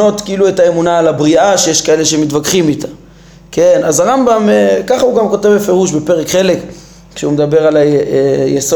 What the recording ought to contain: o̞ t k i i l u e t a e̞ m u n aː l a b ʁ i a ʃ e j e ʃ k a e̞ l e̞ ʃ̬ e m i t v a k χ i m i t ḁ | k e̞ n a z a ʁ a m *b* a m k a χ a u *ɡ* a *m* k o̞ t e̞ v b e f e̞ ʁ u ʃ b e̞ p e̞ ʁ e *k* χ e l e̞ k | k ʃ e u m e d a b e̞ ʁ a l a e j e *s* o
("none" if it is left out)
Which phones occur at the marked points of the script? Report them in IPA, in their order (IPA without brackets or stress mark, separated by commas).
b, ɡ, m, k, s